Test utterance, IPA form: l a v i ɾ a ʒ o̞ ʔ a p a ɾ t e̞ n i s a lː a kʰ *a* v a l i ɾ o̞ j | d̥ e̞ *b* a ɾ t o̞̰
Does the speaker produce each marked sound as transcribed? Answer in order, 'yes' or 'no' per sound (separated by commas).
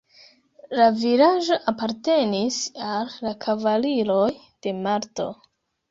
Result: yes, no